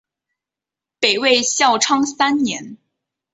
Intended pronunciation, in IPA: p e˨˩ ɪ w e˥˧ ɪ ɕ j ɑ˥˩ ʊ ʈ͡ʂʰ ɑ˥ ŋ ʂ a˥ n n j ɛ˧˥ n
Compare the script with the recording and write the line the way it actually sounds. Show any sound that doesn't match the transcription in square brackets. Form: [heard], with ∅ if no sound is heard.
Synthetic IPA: p e˨˩ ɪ w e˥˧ ɪ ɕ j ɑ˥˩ ʊ ʈ͡ʂʰ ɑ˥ ŋ [s] a˥ n n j ɛ˧˥ n